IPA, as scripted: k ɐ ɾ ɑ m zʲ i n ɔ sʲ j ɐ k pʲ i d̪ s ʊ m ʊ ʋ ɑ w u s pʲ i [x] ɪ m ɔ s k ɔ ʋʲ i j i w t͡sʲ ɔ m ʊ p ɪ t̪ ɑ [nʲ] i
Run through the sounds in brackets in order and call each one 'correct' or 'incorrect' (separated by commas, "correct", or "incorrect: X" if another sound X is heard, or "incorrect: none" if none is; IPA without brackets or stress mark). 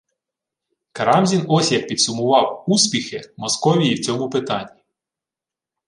correct, incorrect: nʲː